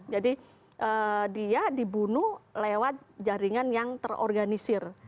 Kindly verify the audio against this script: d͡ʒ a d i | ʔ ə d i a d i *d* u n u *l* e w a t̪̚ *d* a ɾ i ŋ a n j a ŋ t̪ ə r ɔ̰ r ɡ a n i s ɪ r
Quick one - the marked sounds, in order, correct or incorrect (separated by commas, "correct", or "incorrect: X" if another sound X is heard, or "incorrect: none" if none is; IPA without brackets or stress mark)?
incorrect: b, correct, incorrect: d͡ʒ